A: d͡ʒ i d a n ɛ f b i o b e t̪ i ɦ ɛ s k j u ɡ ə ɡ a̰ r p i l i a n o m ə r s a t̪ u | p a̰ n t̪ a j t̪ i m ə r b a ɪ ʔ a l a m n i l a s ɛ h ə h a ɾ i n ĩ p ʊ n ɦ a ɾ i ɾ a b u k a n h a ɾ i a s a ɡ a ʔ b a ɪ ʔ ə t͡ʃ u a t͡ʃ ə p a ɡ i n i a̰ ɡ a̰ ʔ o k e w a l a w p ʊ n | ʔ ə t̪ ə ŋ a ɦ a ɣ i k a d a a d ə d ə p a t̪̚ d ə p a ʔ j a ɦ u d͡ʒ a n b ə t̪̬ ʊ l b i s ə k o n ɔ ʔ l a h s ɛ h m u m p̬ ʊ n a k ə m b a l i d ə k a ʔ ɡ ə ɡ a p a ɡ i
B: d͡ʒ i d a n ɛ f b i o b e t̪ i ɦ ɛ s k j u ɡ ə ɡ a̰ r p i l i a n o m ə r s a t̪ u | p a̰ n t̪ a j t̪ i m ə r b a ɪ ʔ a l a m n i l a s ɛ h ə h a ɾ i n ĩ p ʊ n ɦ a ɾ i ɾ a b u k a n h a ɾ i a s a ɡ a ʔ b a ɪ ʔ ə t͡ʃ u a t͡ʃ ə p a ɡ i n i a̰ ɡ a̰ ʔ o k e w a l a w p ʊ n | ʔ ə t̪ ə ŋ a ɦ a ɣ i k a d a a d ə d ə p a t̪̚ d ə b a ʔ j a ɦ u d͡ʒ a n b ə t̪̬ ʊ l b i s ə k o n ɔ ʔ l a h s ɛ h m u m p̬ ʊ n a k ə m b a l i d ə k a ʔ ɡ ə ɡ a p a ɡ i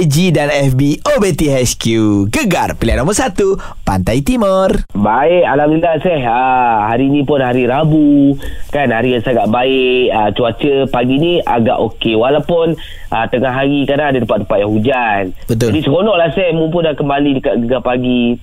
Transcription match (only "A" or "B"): A